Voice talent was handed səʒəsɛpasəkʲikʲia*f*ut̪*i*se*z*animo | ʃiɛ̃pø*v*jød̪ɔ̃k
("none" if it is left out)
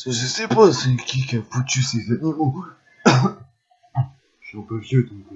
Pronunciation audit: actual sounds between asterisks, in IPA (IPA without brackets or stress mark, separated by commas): f, y, z, v